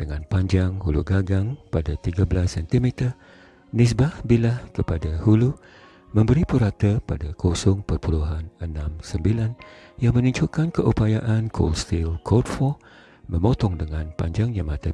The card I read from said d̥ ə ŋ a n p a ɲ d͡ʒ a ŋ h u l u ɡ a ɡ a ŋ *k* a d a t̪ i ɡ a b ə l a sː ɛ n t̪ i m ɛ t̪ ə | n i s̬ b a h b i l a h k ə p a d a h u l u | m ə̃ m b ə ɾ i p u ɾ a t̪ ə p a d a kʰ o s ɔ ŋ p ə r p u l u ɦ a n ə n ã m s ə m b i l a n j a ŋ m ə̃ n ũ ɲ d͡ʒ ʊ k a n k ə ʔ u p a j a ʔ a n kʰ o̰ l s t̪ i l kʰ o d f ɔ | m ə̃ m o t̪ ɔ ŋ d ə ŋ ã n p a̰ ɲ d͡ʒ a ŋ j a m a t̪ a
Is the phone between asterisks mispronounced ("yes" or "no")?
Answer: yes